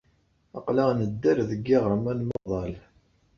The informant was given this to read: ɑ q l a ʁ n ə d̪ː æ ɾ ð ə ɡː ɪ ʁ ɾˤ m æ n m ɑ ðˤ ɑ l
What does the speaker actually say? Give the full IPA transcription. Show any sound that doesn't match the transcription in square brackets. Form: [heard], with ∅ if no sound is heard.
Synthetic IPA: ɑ q l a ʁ n ə d̪ː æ ɾ ð ə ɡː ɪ ʁ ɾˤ m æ n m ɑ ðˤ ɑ l